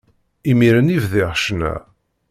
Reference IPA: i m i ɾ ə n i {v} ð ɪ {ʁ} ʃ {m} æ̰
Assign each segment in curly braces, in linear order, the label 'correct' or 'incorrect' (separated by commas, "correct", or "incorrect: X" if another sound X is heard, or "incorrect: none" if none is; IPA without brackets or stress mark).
correct, correct, incorrect: n